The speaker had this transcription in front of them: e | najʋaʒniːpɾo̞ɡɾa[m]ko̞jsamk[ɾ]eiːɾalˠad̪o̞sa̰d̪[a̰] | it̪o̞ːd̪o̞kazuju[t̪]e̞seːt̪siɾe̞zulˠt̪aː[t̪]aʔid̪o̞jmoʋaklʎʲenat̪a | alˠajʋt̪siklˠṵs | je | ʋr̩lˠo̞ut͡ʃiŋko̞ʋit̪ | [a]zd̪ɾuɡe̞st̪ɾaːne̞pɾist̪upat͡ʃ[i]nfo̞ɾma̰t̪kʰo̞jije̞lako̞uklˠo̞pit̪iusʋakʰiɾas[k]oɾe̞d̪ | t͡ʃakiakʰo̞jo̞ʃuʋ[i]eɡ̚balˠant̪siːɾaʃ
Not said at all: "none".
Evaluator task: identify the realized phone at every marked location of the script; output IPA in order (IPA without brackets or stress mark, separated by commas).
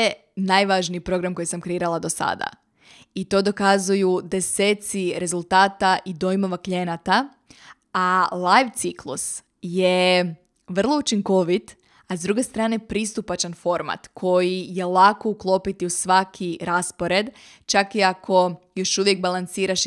m, ɾ, a̰, d̪, t̪, a, a, p, j